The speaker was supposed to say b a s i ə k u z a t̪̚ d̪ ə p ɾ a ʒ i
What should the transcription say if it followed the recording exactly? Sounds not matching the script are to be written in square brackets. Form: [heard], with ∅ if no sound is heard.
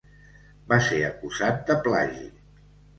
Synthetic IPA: b a s [e] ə k u z a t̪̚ d̪ ə p [l] a ʒ i